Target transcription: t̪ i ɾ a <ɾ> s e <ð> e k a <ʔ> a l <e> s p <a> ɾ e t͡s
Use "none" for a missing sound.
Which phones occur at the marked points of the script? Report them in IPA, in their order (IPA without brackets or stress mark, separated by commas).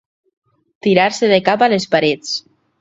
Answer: ɾ, ð, p, e, a